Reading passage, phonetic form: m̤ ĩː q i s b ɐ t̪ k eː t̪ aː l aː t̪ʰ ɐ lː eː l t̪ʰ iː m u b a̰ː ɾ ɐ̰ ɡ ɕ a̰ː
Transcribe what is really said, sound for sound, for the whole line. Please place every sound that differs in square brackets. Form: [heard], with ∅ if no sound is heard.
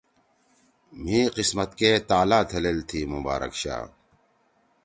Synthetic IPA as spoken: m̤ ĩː q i s [m] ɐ t̪ k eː t̪ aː l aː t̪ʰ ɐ [l] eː l t̪ʰ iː m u b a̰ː ɾ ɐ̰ [k] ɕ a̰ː